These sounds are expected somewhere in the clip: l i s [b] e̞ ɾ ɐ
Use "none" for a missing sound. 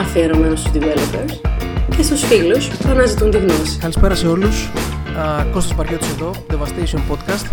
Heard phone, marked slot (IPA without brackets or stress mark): p